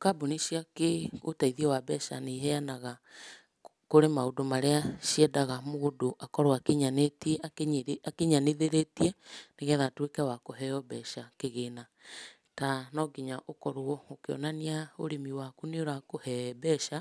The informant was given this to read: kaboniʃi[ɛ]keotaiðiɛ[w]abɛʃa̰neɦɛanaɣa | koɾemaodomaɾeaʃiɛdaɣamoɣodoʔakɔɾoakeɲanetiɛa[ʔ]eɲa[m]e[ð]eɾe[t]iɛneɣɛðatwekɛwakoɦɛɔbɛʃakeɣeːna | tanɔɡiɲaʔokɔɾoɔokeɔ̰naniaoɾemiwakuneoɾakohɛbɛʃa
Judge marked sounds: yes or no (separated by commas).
no, yes, no, no, yes, yes